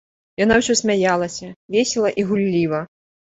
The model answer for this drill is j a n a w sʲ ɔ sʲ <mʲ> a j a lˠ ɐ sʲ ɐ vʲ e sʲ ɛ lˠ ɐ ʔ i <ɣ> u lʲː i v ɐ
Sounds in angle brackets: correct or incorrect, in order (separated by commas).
correct, correct